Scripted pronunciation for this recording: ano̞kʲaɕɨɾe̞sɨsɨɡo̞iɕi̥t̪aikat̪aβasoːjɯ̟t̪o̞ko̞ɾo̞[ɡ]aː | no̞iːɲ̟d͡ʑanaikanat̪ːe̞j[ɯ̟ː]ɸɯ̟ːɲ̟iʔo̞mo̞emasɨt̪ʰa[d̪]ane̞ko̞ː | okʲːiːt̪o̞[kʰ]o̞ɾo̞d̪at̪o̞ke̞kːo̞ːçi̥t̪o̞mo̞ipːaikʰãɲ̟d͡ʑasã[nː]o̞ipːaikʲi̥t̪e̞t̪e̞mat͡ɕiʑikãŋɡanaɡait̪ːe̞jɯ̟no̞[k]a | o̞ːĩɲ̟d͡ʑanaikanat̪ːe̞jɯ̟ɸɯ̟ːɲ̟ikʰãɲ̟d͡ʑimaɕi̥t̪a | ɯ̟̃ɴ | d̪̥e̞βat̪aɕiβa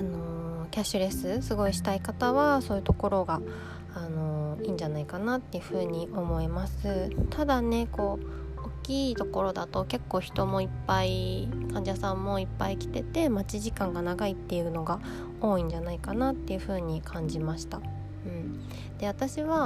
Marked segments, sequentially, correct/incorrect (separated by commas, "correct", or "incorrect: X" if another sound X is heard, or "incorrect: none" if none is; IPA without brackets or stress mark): correct, incorrect: ɯ̟, correct, incorrect: k, incorrect: mː, incorrect: ɡ